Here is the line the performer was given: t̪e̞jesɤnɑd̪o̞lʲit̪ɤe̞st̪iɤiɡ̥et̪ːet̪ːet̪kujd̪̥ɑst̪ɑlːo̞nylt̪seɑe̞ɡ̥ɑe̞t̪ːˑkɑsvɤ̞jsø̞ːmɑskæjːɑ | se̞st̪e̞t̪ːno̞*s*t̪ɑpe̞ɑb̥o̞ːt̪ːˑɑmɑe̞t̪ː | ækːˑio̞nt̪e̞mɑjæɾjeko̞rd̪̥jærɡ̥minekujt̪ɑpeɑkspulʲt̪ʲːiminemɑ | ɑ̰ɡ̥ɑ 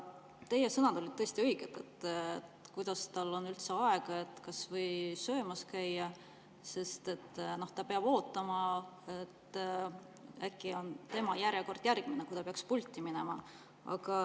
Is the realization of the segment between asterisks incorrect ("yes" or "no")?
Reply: yes